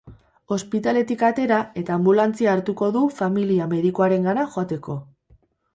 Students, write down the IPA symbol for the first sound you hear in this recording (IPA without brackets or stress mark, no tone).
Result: o̞